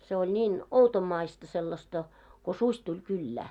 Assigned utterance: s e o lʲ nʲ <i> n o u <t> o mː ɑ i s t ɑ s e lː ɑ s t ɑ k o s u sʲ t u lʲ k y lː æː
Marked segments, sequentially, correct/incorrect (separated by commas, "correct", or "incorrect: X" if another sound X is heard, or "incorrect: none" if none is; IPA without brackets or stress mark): incorrect: iː, correct